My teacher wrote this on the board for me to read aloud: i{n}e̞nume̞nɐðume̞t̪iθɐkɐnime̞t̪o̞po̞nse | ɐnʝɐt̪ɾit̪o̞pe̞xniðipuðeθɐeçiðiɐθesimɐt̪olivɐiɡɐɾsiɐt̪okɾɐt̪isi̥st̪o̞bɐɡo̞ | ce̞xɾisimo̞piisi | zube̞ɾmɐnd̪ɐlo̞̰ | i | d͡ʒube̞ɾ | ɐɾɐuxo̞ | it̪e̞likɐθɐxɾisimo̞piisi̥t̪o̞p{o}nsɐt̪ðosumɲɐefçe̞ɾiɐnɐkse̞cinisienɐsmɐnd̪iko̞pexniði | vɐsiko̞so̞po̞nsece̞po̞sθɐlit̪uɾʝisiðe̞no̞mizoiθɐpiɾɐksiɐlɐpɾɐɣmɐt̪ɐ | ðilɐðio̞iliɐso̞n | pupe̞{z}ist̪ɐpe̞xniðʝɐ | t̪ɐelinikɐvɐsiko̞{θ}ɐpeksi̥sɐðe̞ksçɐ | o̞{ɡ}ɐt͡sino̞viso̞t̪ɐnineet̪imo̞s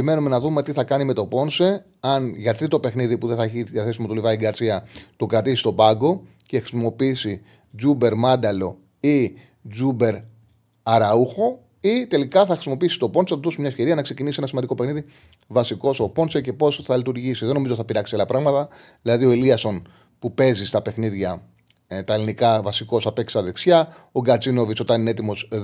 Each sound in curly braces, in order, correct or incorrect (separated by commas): incorrect, correct, correct, incorrect, correct